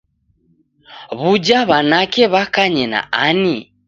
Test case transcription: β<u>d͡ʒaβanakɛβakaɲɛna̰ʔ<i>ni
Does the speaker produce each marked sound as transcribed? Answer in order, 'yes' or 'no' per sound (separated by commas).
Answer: yes, no